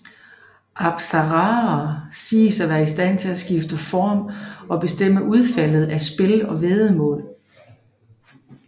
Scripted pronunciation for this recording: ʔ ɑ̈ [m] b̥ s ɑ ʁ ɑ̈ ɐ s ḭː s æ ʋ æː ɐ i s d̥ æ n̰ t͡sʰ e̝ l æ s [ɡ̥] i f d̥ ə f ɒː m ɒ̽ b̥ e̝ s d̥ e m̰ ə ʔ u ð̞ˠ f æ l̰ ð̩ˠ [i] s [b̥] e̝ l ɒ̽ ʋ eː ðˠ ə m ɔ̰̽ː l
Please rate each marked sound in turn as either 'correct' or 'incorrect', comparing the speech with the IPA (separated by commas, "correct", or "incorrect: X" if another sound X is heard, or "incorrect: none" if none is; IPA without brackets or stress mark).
incorrect: none, correct, incorrect: æ, correct